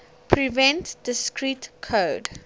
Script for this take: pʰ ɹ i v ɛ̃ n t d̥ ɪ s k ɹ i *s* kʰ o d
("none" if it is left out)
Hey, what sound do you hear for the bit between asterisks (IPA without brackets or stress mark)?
t